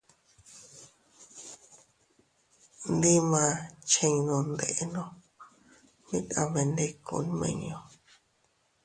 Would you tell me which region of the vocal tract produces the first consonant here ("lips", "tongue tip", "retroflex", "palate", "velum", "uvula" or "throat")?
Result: tongue tip